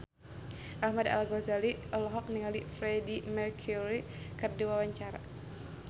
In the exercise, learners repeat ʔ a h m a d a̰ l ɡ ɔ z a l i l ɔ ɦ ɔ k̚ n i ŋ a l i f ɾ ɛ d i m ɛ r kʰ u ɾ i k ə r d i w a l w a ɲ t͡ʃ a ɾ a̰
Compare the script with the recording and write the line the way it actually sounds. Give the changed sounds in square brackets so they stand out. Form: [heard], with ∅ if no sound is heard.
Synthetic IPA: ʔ a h m a d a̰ l ɡ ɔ z a l i l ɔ ɦ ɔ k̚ n i ŋ a l i f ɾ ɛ d i m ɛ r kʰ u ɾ i k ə r d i w a [∅] w a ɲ t͡ʃ a ɾ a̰